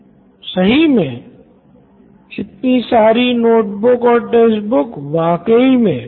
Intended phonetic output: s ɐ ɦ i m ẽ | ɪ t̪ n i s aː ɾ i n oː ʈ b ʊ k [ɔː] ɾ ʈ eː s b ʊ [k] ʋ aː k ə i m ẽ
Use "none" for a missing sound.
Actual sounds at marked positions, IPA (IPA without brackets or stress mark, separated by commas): ɔː, k